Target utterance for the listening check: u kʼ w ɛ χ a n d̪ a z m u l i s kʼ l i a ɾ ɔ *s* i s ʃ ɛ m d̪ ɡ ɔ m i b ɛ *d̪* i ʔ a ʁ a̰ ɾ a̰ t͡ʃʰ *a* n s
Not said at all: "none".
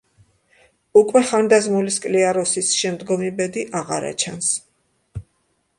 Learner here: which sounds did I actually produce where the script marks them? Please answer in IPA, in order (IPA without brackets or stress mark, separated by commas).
s, d̪, a